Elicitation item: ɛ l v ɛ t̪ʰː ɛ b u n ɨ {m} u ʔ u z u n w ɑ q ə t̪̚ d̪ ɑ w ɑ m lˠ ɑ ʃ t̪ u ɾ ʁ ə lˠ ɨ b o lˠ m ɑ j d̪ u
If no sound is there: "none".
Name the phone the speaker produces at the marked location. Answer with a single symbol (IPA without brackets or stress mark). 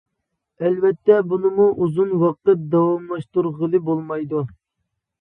m